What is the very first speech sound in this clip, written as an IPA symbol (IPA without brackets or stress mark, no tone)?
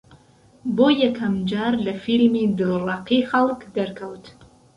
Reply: b